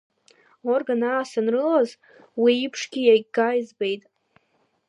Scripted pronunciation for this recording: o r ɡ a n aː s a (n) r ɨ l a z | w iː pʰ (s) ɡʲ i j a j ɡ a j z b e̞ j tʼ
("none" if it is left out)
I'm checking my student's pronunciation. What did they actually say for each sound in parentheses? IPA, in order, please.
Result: n, ʂ

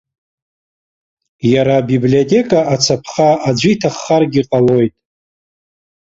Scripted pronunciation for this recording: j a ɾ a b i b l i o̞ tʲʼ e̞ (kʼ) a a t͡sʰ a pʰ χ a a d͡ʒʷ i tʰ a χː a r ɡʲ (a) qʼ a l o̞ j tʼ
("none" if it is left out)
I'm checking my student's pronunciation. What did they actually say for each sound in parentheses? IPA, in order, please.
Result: kʼ, i

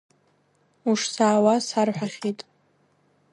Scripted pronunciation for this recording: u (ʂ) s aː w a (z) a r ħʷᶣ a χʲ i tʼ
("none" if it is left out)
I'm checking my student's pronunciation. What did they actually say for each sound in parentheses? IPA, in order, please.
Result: ʂ, s

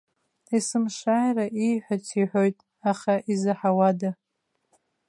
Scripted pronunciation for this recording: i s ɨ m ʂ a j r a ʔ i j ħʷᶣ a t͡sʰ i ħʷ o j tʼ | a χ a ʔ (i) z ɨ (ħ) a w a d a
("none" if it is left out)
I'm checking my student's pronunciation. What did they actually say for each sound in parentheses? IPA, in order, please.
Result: i, ħ

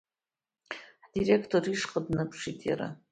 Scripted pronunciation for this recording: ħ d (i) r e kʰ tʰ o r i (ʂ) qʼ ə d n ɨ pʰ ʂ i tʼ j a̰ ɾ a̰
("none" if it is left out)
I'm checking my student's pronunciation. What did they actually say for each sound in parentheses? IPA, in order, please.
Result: i, ʂ

